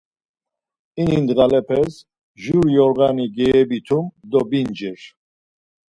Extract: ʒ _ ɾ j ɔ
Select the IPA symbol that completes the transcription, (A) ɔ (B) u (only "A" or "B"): B